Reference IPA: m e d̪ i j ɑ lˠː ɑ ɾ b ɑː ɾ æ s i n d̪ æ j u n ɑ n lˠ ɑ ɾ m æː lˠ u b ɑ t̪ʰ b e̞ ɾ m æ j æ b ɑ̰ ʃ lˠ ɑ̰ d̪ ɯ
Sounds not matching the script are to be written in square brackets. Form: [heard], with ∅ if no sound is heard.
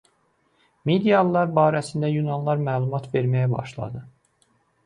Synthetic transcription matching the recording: m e d̪ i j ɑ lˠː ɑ ɾ b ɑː ɾ æ s i n d̪ æ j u n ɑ n lˠ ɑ ɾ m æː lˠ u [m] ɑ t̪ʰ [v] e̞ ɾ m æ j æ b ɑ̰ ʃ lˠ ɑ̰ d̪ ɯ